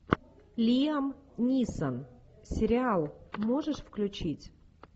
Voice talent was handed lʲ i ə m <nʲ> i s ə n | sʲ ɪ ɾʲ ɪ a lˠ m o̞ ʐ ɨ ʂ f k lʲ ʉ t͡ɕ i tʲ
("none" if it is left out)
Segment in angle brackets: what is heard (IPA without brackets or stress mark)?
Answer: nʲ